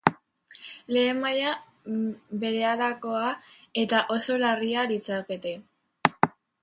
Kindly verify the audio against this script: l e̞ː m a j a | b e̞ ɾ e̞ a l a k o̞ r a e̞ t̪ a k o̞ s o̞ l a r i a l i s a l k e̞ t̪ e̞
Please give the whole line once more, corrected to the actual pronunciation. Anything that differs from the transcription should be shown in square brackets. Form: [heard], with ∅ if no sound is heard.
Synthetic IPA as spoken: l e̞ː m a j a | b e̞ ɾ e̞ a l a k o̞ [∅] a e̞ t̪ a [ʔ] o̞ s o̞ l a r i a l i [t͡s] a [∅] k e̞ t̪ e̞